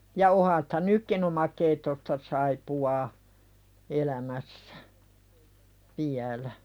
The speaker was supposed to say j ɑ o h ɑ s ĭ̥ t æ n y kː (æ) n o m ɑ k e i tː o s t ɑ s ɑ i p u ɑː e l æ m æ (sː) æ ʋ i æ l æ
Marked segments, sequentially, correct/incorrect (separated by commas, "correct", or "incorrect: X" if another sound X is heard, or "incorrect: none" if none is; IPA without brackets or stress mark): incorrect: i, correct